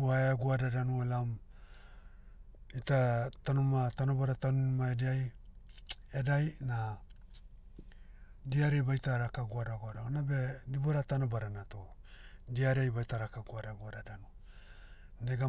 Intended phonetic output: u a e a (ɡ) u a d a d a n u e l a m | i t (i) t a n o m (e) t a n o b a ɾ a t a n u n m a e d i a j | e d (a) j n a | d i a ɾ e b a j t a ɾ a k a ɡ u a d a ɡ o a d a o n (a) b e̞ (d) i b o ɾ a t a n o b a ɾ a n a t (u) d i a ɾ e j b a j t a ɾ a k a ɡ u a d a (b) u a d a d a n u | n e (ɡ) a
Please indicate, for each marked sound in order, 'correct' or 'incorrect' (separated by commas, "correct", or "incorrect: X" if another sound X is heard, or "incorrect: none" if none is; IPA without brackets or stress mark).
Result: correct, incorrect: a, incorrect: a, correct, correct, correct, incorrect: o, incorrect: ɡ, correct